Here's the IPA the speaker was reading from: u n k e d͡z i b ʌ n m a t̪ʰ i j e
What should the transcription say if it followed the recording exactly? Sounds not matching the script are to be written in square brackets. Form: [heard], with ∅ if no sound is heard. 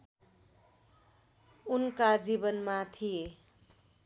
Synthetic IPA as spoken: u n k [a] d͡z i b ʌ n m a t̪ʰ i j e